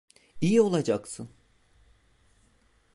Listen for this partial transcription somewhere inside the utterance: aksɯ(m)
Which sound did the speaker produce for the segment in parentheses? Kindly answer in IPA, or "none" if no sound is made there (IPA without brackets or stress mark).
n